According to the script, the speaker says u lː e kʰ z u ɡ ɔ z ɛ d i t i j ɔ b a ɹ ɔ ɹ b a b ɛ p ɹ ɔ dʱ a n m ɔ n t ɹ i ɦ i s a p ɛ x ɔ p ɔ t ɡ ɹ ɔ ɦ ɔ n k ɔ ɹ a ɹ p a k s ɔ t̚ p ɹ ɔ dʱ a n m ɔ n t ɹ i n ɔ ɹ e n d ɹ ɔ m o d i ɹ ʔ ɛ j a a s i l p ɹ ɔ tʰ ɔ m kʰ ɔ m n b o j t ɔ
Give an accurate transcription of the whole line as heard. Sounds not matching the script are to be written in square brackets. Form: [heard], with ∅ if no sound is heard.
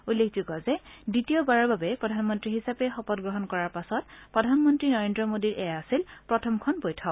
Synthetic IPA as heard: u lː e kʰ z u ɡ ɔ z ɛ d i t i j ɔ b a ɹ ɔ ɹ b a b ɛ p ɹ ɔ dʱ a n m ɔ n t ɹ i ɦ i s a p ɛ x ɔ p ɔ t ɡ ɹ ɔ ɦ ɔ n k ɔ ɹ a ɹ p a [∅] s ɔ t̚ p ɹ ɔ dʱ a n m ɔ n t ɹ i n ɔ ɹ e n d ɹ ɔ m o d i ɹ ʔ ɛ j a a s i l p ɹ ɔ tʰ ɔ m kʰ ɔ [∅] n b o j [tʰ] ɔ